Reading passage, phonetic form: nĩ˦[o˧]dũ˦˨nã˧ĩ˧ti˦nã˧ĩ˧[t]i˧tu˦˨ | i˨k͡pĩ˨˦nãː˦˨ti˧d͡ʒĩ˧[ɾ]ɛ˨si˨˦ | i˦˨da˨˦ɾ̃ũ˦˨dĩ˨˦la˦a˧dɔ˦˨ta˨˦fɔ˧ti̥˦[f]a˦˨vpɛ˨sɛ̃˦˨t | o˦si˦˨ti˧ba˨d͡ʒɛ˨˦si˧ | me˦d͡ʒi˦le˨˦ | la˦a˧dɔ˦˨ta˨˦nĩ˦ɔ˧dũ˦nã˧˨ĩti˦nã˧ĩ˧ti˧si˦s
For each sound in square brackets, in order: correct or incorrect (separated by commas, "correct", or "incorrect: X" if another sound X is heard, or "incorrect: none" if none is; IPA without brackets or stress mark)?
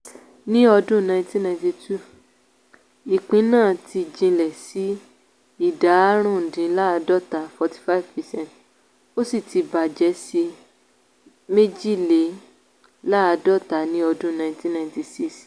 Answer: incorrect: ɔ˧, correct, incorrect: l, correct